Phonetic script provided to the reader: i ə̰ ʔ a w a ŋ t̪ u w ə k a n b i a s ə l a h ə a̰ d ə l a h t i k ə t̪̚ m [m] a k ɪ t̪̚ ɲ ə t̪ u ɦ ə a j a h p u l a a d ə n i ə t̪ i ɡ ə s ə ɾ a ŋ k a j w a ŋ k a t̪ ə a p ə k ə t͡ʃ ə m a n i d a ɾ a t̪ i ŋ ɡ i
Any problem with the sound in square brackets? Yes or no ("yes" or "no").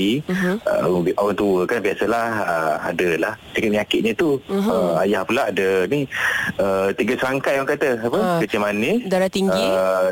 yes